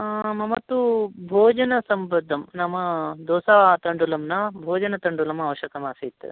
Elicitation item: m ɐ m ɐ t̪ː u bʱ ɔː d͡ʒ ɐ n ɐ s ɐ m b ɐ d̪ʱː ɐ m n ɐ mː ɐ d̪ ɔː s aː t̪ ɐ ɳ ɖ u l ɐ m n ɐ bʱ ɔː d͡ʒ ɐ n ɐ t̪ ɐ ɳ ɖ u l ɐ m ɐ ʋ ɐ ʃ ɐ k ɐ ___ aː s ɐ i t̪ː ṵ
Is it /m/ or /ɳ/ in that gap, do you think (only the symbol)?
m